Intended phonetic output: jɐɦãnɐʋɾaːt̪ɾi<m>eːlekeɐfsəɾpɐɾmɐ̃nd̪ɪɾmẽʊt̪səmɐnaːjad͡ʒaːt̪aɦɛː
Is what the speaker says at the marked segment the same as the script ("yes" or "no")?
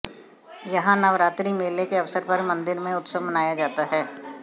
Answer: yes